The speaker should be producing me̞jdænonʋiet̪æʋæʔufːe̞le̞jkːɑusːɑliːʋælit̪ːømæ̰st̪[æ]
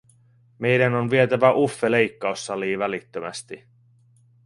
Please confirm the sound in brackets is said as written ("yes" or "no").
no